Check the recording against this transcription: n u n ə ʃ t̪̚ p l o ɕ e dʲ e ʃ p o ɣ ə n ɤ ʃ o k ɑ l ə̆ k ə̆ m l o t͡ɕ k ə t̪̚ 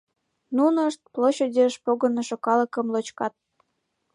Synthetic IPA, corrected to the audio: n u n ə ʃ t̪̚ p l o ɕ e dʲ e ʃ p o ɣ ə n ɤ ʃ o k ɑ l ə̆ k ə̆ m l o t͡ɕ k ɑ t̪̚